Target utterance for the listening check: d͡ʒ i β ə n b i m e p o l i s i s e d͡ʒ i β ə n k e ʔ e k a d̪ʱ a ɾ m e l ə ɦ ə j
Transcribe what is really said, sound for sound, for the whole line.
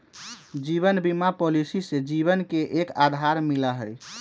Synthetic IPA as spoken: d͡ʒ i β ə n b i m a p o l i s i s e d͡ʒ i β ə n k e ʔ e k a d̪ʱ a ɾ m i l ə ɦ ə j